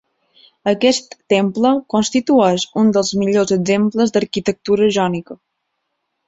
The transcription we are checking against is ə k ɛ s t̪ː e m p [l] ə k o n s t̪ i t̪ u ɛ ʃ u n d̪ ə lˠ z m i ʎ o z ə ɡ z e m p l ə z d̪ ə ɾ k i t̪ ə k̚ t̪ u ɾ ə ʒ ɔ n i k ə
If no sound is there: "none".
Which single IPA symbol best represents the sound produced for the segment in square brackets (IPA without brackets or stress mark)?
l